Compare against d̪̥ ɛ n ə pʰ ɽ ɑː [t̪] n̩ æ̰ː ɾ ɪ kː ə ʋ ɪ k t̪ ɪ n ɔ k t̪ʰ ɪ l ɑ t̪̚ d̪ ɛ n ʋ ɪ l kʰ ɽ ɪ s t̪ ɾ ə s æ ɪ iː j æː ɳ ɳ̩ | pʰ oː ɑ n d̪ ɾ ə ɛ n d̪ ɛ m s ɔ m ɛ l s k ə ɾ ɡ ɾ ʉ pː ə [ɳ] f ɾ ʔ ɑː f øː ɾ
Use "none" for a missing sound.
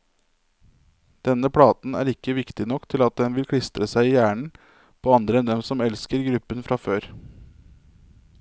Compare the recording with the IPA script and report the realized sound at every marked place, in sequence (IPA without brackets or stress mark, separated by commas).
t̪, n